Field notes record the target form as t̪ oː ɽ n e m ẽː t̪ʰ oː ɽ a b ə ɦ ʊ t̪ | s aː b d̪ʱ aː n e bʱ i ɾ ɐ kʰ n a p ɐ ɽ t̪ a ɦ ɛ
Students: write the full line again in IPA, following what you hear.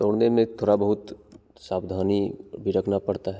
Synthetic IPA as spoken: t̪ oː ɽ n e m ẽ t̪ʰ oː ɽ a b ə ɦ ʊ t̪ | s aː b d̪ʱ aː n i bʱ i ɾ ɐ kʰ n a p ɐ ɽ t̪ a ɦ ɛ

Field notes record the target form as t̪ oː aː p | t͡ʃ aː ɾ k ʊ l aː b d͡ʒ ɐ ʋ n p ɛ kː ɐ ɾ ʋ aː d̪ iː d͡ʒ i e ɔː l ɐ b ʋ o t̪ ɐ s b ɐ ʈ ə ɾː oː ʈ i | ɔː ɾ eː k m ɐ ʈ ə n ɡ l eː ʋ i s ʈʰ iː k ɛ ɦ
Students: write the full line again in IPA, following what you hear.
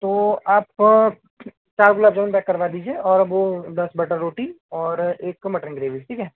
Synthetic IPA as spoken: t̪ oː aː p | t͡ʃ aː ɾ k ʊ l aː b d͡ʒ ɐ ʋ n p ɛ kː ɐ ɾ ʋ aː d̪ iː d͡ʒ i e ɔː ɾ ɐ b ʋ o d̪ ɐ s b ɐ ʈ ə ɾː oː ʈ i | ɔː ɾ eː k m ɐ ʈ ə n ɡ ɾ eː ʋ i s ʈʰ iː k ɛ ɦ

